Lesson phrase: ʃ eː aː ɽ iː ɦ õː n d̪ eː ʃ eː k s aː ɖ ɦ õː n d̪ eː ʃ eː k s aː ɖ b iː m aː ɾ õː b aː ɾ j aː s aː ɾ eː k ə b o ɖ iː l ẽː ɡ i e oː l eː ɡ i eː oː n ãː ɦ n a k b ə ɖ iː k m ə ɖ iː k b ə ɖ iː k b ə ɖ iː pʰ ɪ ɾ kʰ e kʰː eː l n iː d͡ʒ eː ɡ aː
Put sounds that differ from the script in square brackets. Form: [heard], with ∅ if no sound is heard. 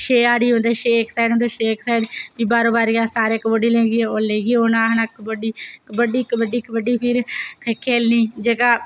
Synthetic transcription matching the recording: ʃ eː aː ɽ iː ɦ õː n d̪ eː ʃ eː k s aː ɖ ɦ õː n d̪ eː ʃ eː k s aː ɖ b iː [b] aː ɾ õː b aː ɾ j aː s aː ɾ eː k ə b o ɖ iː l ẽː ɡ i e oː l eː ɡ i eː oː n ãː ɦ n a k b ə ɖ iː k [b] ə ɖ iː k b ə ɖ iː k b ə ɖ iː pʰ ɪ ɾ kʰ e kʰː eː l n iː d͡ʒ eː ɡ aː